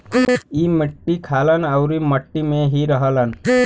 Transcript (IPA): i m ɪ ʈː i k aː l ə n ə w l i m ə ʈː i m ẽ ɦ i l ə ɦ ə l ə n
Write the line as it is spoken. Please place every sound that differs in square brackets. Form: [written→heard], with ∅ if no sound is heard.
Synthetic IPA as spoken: i m ɪ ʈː i [k→kʰ] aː l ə n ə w [l→ɾ] i m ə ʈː i m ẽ ɦ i [l→ɾ] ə ɦ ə l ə n